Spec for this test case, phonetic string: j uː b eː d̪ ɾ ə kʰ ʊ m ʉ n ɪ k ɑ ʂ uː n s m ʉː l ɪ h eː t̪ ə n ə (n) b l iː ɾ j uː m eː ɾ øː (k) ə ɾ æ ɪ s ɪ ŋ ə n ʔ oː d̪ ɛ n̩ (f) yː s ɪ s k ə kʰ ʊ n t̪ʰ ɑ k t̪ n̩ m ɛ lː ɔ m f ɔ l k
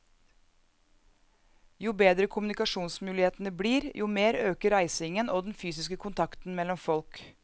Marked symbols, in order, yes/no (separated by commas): no, yes, yes